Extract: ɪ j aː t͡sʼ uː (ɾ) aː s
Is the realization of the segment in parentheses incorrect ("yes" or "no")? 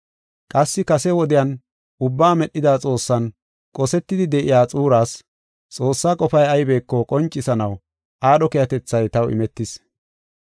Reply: no